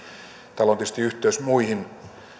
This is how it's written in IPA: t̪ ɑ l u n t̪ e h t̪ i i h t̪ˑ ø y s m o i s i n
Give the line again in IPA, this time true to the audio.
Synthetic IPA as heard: t̪ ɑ l o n t̪ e s t̪ i y h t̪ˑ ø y s m u i h i n

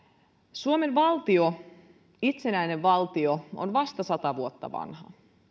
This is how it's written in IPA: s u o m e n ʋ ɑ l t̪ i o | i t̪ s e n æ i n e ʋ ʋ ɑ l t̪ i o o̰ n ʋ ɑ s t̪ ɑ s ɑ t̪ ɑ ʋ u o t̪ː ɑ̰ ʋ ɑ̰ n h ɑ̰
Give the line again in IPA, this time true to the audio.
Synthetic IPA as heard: s u o m e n ʋ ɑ l t̪ i o | i t̪ s e n æ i n e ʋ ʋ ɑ l t̪ i o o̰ n ʋ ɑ s t̪ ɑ s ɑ t̪ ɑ ʋ u o t̪ː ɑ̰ ʋ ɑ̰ n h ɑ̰

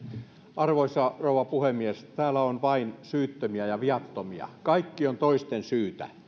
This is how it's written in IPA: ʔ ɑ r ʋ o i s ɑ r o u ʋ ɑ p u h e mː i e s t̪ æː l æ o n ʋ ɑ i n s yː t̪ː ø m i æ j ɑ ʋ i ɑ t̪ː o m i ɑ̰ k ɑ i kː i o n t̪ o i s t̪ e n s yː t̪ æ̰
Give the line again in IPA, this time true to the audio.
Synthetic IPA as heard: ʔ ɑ r ʋ o i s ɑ r o u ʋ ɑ p u h e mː i e s t̪ æː l æ o n ʋ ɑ i n s yː t̪ː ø m i æ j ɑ ʋ i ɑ t̪ː o m i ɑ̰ k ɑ i kː i o n t̪ o i s t̪ e n s yː t̪ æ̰

